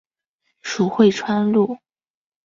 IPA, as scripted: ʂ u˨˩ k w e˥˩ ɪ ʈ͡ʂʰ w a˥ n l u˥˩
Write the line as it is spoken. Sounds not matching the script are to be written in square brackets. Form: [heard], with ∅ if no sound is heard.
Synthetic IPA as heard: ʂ u˨˩ [x] w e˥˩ ɪ ʈ͡ʂʰ w a˥ n l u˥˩